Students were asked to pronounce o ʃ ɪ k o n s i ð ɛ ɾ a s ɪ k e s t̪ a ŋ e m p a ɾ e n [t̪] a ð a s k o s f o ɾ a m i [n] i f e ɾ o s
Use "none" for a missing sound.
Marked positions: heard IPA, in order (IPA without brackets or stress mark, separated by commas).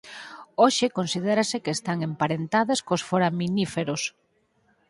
t̪, n